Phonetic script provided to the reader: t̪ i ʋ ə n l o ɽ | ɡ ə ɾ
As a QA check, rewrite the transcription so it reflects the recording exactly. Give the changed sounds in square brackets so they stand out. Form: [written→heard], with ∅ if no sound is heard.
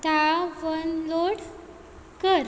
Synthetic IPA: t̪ [i→a] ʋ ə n l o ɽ | [ɡ→k] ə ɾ